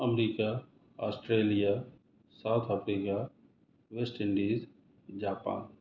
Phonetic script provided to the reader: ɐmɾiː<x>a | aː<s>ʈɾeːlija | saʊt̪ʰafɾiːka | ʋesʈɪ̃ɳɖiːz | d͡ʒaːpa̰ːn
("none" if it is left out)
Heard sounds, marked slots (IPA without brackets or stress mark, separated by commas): k, s